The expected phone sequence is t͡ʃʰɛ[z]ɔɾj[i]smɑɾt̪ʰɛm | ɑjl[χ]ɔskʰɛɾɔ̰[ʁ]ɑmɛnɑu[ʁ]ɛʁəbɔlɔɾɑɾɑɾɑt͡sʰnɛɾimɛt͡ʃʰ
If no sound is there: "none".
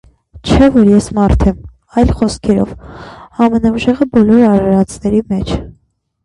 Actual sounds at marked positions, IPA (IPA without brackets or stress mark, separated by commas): v, ɛ, χ, v, ʒ